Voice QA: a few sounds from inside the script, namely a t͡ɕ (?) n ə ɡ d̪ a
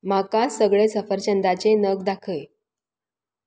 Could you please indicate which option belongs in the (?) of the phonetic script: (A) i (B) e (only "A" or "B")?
B